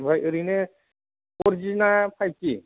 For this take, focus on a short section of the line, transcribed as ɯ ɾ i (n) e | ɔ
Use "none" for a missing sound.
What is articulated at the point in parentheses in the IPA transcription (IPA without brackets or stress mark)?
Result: n